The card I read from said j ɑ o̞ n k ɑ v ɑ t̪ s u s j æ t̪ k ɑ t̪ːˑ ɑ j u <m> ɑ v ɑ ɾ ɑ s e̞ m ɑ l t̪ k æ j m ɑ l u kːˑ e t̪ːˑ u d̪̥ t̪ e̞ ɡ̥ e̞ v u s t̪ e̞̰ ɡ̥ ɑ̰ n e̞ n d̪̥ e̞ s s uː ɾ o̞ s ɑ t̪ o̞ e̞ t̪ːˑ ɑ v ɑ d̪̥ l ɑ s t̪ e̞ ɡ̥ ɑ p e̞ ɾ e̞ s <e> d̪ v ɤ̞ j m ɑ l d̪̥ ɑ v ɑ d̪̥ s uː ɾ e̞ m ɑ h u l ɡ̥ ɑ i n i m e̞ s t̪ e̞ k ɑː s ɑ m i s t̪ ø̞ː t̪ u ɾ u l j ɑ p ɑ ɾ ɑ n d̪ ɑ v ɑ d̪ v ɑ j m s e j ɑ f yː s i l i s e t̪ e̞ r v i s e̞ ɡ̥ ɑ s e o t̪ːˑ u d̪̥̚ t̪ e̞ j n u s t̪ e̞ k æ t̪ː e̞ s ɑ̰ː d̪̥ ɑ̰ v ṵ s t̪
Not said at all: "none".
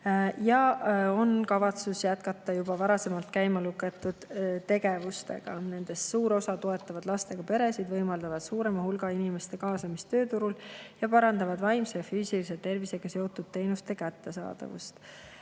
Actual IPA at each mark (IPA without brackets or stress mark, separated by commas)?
b, i